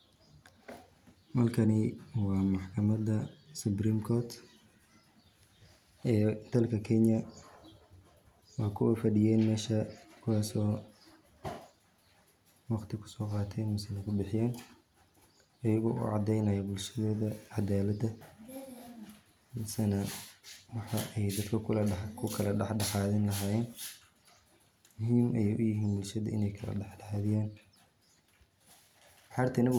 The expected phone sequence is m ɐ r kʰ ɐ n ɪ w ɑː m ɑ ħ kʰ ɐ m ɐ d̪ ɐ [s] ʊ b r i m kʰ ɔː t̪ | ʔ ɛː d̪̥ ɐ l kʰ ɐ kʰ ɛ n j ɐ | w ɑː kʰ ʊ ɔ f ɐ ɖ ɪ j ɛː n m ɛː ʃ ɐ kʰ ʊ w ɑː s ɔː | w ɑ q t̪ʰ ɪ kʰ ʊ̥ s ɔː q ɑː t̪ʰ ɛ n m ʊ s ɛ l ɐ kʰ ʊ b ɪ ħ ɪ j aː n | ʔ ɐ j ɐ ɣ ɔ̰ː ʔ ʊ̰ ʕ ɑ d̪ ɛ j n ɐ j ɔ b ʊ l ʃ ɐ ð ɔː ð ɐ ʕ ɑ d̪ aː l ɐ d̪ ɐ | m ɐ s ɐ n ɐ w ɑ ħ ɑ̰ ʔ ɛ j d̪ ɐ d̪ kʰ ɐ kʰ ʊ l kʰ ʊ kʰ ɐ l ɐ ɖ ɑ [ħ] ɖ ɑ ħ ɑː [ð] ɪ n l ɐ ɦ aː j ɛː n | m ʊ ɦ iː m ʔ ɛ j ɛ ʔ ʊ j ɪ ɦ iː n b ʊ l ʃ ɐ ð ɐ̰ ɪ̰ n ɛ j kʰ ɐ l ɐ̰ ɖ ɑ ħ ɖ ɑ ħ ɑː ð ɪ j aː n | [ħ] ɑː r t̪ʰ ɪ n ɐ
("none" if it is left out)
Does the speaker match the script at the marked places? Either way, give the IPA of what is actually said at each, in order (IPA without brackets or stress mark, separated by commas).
s, ħ, ð, ħ